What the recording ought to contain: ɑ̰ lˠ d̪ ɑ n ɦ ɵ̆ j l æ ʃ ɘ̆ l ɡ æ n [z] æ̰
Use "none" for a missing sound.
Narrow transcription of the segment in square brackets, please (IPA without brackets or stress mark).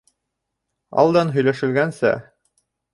s